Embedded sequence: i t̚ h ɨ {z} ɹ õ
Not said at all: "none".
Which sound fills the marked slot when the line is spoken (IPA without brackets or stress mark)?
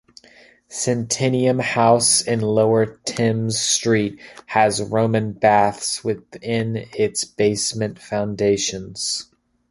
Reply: z